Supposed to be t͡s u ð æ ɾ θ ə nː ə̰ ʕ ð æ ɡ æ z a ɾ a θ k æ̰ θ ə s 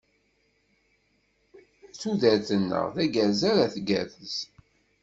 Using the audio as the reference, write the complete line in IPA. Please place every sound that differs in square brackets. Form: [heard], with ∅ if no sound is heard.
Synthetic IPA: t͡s u ð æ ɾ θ ə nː ə̰ [ʁ] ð æ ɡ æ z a ɾ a θ [ɡ] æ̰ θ ə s

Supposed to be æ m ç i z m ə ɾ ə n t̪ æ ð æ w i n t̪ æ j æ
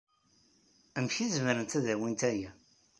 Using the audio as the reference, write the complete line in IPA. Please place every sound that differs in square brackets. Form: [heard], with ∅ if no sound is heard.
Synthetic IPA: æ m ç i z m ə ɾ ə n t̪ æ ð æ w i n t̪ æ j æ

